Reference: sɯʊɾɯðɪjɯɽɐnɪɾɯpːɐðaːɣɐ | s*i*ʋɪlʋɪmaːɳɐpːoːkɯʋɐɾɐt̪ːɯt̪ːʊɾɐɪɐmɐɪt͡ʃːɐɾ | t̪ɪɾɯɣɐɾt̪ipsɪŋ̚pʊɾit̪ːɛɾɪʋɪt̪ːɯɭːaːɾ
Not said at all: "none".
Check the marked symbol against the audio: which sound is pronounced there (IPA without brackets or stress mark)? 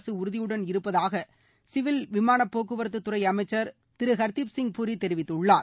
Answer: ɪ